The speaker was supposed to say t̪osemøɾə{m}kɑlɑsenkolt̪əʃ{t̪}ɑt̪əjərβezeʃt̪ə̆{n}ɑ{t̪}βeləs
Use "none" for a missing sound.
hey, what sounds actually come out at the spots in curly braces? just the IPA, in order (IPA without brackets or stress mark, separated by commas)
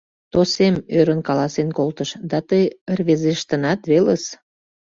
n, d̪, n, t̪